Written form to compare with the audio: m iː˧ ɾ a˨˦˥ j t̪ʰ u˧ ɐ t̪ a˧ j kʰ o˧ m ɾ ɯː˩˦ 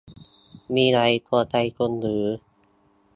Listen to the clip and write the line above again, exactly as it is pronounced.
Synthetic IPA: m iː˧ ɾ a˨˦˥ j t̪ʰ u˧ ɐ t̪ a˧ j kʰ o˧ n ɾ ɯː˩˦